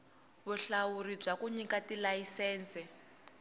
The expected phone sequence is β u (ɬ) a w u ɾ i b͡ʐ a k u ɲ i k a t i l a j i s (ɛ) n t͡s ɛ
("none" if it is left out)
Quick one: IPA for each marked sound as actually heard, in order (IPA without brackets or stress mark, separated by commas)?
ɬ, ɛː